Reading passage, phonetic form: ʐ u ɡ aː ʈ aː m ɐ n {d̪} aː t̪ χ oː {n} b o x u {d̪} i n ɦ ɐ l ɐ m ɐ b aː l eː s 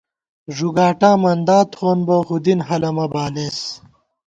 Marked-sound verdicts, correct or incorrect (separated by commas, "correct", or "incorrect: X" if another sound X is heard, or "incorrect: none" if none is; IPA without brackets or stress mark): correct, correct, correct